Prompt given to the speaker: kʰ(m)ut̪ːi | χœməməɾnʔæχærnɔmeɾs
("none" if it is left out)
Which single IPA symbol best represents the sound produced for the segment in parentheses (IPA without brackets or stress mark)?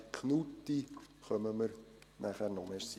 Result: n